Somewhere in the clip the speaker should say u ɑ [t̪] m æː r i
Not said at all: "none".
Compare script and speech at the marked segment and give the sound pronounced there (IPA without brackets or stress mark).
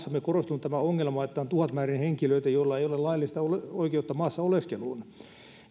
t̪